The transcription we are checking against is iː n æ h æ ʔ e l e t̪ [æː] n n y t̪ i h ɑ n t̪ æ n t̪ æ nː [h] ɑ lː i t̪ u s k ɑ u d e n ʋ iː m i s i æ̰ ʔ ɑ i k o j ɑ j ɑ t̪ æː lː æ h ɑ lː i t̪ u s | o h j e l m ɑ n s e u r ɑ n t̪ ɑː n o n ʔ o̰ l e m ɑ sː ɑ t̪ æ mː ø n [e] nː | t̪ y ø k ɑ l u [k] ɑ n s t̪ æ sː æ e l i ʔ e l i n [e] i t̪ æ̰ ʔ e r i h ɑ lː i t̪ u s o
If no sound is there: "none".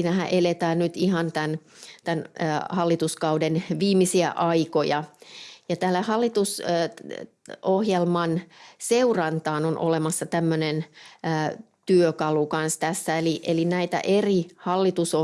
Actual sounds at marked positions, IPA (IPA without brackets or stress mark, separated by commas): æː, h, e, k, æ